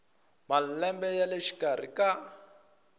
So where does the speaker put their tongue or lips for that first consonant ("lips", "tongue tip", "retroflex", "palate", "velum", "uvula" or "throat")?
lips